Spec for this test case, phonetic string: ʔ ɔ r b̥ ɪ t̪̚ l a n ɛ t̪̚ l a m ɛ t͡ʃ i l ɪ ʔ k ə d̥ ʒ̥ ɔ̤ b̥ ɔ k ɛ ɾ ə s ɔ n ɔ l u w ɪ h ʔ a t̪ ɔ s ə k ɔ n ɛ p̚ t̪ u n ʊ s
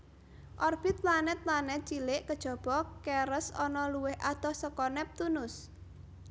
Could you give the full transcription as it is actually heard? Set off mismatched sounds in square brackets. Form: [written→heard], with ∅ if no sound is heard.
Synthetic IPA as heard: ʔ ɔ r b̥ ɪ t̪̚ l a n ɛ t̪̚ l a [m→n] ɛ t͡ʃ i l ɪ ʔ k ə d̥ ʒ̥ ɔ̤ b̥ ɔ k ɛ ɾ ə s ɔ n ɔ l u w ɪ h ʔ a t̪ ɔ s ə k ɔ n ɛ p̚ t̪ u n ʊ s